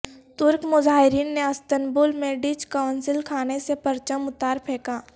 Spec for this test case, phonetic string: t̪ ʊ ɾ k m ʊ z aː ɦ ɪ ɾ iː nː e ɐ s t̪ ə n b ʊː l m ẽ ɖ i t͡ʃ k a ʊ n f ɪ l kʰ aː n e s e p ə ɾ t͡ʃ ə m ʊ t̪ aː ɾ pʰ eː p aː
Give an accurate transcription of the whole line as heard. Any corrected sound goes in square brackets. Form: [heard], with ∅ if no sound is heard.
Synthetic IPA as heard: t̪ ʊ ɾ k m ʊ z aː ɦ ɪ ɾ iː nː e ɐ s t̪ ə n b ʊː l m ẽ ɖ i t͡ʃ k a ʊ n [s] ɪ l kʰ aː n e s e p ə ɾ t͡ʃ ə m ʊ t̪ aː ɾ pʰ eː [k] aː

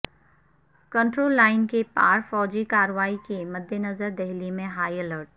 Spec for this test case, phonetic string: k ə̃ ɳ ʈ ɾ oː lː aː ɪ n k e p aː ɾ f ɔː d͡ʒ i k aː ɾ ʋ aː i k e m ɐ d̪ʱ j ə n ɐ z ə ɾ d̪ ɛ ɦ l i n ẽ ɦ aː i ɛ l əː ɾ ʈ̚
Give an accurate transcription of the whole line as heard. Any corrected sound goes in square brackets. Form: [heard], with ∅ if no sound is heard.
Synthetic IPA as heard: k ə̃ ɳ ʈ ɾ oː lː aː ɪ n k e p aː ɾ f ɔː d͡ʒ i k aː ɾ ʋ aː i k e m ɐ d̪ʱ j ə n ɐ z ə ɾ d̪ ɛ ɦ l i [m] ẽ ɦ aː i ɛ l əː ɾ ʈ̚

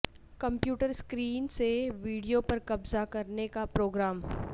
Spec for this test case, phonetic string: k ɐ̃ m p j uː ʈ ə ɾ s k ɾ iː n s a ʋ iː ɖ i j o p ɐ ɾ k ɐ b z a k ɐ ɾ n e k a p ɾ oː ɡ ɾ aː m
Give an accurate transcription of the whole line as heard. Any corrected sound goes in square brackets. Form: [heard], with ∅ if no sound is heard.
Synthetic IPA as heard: k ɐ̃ m p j uː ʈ ə ɾ s k ɾ iː n s [e] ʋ iː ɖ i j o p ɐ ɾ k ɐ b z a k ɐ ɾ n e k a p ɾ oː ɡ ɾ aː m

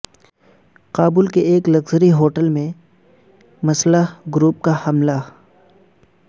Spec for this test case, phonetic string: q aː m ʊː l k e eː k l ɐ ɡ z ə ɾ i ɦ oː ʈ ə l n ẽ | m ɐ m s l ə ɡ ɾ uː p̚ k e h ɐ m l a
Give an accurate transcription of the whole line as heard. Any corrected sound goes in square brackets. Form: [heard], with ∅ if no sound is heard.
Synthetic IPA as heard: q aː [b] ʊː l k e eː k l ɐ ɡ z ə ɾ i ɦ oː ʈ ə l [m] ẽ | m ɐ [∅] s l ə ɡ ɾ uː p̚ k [a] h ɐ m l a

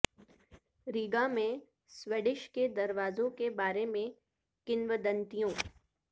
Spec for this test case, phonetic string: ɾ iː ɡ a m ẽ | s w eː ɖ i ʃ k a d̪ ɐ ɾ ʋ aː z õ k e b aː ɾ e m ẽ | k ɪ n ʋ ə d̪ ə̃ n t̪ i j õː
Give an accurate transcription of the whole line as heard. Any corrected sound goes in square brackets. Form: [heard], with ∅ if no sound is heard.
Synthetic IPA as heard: ɾ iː ɡ a m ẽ | s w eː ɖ [ɪ] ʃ k [e] d̪ ɐ ɾ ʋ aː z õ k e b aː ɾ e m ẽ | k ɪ n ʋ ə d̪ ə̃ n t̪ i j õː

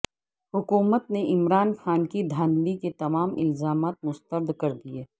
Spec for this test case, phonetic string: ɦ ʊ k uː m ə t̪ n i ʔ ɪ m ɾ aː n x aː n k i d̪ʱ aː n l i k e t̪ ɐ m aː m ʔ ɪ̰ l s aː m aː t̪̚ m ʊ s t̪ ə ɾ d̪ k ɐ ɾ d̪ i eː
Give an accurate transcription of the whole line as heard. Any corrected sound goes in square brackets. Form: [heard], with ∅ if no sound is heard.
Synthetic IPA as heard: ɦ ʊ k uː m ə t̪ n [e] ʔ ɪ m ɾ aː n x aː n k i d̪ʱ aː n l i k e t̪ ɐ m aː m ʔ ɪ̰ l [z] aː m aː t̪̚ m ʊ s t̪ ə ɾ d̪ k ɐ ɾ d̪ i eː

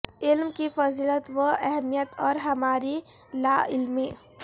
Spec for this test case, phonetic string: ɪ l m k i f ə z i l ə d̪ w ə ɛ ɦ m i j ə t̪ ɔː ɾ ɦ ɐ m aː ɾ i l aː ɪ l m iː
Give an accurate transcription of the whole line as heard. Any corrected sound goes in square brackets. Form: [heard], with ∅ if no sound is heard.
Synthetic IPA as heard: ɪ l m k i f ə z i l ə [t̪] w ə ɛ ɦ m i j ə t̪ ɔː ɾ ɦ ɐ m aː ɾ i l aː ɪ l m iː

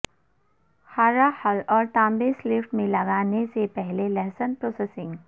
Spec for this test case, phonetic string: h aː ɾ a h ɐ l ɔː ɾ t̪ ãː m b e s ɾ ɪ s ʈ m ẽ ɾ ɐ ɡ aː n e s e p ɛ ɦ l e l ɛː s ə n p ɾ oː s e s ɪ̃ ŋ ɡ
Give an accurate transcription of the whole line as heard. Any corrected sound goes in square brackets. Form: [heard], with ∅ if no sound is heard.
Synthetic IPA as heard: h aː ɾ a h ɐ l ɔː ɾ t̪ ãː m b e s [l] ɪ [f] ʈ m ẽ [l] ɐ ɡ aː n e s e p ɛ ɦ l e l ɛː s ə n p ɾ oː s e s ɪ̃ ŋ ɡ

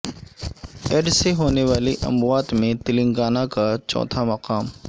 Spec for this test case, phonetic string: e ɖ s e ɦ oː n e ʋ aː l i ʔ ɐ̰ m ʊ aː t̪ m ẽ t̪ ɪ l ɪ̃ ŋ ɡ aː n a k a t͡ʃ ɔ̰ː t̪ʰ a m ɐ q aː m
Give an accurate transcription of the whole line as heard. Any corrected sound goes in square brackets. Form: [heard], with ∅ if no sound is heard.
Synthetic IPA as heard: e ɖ s e ɦ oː n e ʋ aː l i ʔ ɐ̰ m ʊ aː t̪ m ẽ t̪ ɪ l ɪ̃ ŋ ɡ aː n a k a t͡ʃ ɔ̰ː t̪ʰ a m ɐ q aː m

